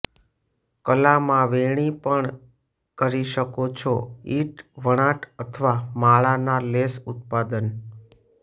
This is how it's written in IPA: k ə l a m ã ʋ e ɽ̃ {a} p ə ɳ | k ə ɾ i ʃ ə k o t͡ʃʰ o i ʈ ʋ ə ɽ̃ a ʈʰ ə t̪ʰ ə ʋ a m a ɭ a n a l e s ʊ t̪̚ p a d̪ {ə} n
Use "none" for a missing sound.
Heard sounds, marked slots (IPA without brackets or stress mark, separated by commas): i, ə